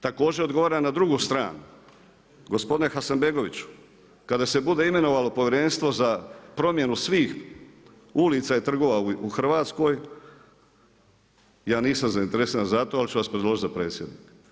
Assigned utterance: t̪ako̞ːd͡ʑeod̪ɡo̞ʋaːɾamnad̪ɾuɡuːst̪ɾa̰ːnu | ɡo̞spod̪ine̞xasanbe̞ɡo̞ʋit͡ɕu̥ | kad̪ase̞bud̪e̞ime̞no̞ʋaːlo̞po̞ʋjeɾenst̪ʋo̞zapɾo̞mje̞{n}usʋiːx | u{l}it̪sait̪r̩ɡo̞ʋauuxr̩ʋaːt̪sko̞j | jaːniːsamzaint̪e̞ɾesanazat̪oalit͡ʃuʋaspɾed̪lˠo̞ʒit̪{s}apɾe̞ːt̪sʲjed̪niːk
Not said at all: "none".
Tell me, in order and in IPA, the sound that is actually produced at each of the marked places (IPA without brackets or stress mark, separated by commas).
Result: n, l, z